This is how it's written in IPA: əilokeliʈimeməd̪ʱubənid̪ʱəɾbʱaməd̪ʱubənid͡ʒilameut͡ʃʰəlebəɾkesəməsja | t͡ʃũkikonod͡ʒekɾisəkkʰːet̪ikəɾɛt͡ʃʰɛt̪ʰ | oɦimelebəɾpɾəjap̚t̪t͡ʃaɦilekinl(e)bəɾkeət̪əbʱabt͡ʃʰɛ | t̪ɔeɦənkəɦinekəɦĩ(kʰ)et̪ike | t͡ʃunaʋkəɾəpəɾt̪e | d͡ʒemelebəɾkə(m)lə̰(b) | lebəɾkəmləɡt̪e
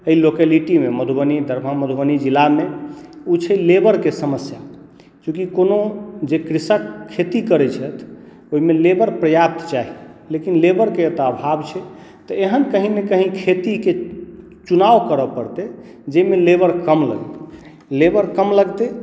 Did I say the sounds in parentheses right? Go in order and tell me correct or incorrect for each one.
correct, correct, correct, incorrect: ɡ

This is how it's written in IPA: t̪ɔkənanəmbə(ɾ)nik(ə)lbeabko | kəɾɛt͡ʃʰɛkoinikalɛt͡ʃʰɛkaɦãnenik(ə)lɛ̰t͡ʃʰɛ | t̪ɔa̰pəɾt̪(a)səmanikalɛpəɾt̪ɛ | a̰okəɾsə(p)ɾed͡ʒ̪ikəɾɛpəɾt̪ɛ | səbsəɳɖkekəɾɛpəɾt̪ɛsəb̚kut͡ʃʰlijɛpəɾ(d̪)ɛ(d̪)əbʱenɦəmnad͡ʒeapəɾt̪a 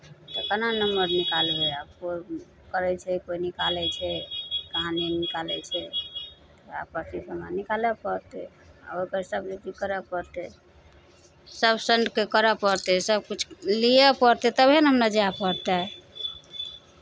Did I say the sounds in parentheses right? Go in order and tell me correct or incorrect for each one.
correct, incorrect: a, incorrect: a, incorrect: i, incorrect: b, incorrect: t̪, incorrect: t̪

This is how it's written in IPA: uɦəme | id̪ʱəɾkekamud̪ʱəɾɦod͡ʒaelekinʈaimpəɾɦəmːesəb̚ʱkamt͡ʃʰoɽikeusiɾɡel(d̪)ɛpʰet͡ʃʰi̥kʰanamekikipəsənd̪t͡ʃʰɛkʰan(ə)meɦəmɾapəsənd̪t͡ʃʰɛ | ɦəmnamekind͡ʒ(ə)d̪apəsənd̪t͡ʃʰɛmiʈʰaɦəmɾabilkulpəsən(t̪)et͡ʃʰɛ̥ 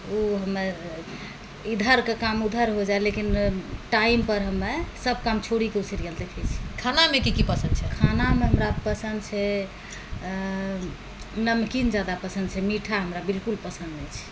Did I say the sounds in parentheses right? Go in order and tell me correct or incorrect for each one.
incorrect: t̪, incorrect: a, incorrect: a, incorrect: d̪

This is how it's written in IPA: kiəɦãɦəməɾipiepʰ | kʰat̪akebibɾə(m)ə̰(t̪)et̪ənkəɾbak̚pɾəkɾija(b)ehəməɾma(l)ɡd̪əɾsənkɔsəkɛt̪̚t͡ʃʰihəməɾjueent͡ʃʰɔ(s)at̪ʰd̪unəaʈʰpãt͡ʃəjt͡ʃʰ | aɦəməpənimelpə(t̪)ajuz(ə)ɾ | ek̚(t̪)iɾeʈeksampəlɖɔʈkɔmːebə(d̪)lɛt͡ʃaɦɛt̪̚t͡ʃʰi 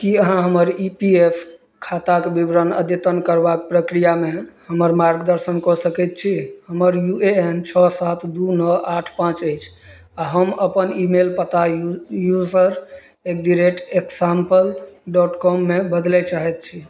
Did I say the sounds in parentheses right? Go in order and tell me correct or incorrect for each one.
incorrect: n, incorrect: d̪, incorrect: m, incorrect: ɾ, correct, correct, correct, incorrect: d̪, correct

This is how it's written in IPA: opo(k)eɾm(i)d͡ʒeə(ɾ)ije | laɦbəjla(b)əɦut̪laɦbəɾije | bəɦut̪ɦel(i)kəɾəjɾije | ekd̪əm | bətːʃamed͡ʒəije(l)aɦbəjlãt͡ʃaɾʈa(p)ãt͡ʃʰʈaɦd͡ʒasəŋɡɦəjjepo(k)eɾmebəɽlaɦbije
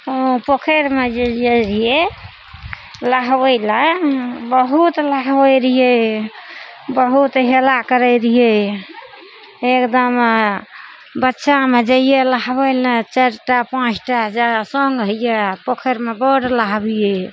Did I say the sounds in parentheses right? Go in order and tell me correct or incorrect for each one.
incorrect: kʰ, incorrect: e, correct, correct, incorrect: a, correct, correct, incorrect: kʰ

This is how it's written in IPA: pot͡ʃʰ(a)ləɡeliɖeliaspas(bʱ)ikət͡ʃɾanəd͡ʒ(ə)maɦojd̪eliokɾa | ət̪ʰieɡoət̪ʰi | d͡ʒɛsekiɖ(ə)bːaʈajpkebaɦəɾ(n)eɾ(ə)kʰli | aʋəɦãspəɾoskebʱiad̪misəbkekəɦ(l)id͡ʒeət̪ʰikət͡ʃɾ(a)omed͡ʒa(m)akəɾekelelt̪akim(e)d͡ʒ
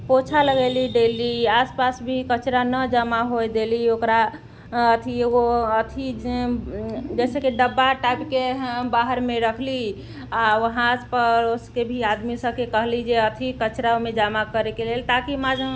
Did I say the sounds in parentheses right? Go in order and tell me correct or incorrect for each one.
correct, correct, incorrect: a, correct, incorrect: m, correct, correct, correct, correct, incorrect: a

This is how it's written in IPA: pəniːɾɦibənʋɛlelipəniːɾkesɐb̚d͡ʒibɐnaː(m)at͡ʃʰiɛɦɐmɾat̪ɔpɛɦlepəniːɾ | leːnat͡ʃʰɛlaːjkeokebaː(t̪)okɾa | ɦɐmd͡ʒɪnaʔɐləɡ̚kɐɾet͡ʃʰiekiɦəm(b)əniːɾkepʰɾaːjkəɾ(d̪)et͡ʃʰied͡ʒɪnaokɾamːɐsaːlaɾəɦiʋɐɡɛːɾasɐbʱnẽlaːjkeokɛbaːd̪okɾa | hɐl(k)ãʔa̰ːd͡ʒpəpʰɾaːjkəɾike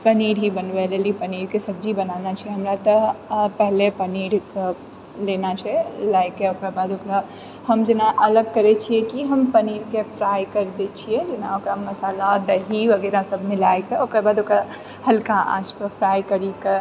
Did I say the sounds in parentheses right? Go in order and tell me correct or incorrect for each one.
incorrect: n, incorrect: d̪, incorrect: p, correct, correct

